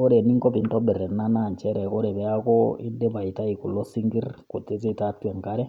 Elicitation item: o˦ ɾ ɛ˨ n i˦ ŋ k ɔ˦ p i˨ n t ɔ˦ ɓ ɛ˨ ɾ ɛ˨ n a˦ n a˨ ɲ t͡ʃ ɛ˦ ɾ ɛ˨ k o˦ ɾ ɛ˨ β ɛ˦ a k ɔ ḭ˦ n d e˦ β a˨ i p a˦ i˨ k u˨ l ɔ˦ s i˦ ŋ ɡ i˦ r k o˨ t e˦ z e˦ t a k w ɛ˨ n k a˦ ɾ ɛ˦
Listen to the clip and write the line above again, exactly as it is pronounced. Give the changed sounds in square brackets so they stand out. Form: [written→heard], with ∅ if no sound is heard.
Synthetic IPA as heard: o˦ ɾ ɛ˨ n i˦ ŋ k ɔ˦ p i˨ n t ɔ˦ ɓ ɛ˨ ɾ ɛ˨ n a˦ n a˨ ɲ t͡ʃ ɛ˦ ɾ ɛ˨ k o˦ ɾ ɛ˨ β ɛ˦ a k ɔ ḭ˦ n d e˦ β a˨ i [p→t] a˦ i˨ k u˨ l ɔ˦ s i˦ ŋ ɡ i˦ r k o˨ t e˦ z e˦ t a [k→t] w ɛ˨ [n→ŋ] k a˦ ɾ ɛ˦